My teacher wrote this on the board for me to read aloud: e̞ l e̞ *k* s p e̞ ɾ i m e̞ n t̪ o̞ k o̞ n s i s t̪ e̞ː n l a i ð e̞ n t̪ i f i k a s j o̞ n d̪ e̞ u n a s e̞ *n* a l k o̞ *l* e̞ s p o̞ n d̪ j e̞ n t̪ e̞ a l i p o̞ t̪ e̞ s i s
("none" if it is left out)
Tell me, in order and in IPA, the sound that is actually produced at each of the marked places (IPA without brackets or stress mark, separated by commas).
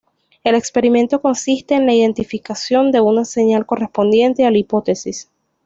k, ɲ, r